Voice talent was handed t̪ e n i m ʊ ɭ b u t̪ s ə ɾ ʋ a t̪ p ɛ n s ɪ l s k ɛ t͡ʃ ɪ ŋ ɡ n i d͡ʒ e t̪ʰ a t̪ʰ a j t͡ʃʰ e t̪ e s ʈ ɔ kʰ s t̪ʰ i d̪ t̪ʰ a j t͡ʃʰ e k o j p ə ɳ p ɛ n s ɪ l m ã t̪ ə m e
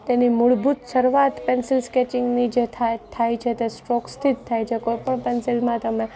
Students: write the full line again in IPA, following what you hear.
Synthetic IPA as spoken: t̪ e n i m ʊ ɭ b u t̪ s ə ɾ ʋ a t̪ p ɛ n s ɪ l s k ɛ t͡ʃ ɪ ŋ ɡ n i d͡ʒ e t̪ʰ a t̪ʰ a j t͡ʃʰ e t̪ e s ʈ ɔ k s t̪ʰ i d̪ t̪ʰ a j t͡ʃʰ e k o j p ə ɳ p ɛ n s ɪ l m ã t̪ ə m e